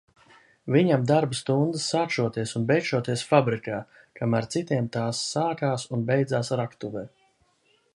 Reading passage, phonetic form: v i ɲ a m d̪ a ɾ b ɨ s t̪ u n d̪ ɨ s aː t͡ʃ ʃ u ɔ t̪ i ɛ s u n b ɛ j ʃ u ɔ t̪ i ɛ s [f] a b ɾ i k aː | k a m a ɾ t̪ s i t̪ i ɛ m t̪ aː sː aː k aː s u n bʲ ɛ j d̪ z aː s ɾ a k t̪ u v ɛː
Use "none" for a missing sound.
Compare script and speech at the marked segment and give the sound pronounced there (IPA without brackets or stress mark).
f